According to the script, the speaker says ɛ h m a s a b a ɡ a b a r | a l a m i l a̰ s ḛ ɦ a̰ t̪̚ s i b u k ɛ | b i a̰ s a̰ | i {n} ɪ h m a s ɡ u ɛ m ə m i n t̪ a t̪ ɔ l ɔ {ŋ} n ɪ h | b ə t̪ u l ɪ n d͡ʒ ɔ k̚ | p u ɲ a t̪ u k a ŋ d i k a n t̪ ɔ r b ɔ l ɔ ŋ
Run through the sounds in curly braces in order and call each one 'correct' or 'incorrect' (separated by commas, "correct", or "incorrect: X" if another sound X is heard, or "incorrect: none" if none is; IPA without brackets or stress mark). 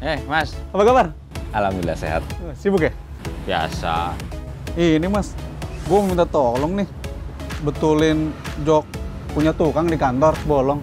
correct, correct